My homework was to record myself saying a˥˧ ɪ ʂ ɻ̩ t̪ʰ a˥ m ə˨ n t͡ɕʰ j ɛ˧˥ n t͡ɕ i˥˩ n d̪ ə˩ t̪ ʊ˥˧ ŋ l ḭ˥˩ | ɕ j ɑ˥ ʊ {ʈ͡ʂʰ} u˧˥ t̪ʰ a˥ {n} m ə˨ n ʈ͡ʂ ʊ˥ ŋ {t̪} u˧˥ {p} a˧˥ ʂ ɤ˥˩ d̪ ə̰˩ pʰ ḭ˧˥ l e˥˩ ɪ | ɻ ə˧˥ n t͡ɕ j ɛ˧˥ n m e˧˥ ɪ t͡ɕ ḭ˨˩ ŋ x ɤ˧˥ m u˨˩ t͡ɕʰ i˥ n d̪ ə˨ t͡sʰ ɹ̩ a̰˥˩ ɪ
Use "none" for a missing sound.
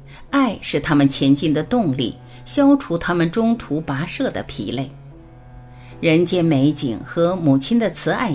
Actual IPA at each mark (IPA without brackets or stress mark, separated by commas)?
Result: ʈ͡ʂʰ, none, t̪ʰ, p